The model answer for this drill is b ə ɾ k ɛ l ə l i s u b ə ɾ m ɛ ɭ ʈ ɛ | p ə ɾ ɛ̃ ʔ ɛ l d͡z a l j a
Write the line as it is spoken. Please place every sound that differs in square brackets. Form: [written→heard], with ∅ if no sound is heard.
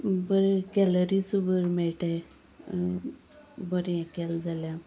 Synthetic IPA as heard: b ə ɾ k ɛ l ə [l→ɾ] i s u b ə ɾ m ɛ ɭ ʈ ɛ | [p→b] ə ɾ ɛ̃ [ʔ→k] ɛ l d͡z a l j a

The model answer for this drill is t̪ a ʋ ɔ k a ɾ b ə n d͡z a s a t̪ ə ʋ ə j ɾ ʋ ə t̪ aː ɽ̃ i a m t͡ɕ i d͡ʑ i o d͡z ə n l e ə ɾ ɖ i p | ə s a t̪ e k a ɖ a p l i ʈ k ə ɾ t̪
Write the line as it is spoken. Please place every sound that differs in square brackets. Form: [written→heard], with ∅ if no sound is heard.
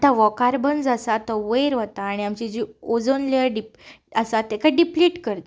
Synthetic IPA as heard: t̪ a ʋ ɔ k a ɾ b ə n d͡z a s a t̪ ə ʋ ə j ɾ ʋ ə t̪ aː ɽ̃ i a m t͡ɕ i d͡ʑ i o d͡z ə n l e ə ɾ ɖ i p | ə s a t̪ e k a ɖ [a→i] p l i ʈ k ə ɾ t̪

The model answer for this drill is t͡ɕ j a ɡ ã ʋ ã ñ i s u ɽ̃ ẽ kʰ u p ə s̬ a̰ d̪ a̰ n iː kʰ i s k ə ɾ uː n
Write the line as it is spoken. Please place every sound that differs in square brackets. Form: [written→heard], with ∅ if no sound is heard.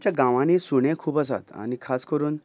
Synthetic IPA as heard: t͡ɕ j a ɡ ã ʋ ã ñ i s u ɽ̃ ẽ kʰ [u→uː] p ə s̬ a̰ [d̪→t̪] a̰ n [iː→i] kʰ [i→a] s k ə ɾ uː n

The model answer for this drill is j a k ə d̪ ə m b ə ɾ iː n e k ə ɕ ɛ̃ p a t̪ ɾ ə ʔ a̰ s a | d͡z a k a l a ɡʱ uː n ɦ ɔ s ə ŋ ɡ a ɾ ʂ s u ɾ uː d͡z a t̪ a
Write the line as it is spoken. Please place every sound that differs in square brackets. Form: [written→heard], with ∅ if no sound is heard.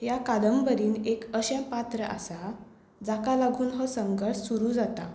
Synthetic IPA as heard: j a k [ə→a] d̪ ə m b ə ɾ iː n e k ə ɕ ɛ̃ p a t̪ ɾ ə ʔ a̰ s a | d͡z a k a l a ɡʱ uː n ɦ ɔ s ə ŋ ɡ [a→ə] ɾ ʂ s u ɾ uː d͡z a t̪ a

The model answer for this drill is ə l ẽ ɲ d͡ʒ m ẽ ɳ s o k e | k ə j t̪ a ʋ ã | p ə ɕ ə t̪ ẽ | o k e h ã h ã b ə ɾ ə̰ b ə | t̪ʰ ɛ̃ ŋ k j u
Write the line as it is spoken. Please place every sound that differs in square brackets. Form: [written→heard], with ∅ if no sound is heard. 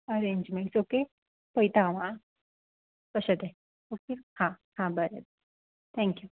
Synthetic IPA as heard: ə [l→ɾ] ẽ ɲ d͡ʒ m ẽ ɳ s o k e | [k→p] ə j t̪ a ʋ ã | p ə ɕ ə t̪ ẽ | o k e h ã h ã b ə ɾ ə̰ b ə | t̪ʰ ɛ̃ ŋ k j u

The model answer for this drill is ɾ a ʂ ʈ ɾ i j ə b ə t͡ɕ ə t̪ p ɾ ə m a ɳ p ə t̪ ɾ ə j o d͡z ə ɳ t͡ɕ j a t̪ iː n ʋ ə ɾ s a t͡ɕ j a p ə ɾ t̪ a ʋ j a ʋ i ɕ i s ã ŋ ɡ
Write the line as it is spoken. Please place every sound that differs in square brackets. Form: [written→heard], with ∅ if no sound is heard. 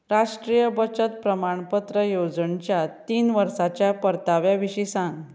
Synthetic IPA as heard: ɾ a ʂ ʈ ɾ i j ə b ə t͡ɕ ə t̪ p ɾ ə m a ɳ p ə t̪ ɾ ə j o d͡z ə ɳ t͡ɕ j a t̪ iː n ʋ ə ɾ s a t͡ɕ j a p ə ɾ t̪ a ʋ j a ʋ i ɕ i s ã ŋ ɡ

